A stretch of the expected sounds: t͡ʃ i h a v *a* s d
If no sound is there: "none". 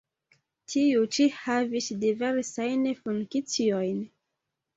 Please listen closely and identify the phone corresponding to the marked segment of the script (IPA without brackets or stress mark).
i